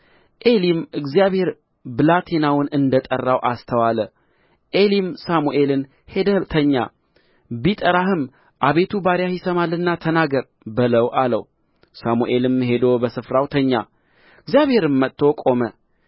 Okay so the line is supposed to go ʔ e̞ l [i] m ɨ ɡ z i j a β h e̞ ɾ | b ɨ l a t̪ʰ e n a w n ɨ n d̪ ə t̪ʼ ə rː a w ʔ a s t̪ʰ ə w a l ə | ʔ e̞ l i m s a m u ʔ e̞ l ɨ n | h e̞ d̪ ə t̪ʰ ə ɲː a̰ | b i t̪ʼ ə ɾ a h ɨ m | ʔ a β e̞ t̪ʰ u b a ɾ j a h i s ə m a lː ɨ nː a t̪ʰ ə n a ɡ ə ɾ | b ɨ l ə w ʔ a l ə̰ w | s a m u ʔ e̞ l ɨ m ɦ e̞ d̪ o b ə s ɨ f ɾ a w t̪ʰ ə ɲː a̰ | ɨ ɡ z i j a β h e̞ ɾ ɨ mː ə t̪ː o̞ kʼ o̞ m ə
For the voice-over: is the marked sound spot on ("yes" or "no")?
yes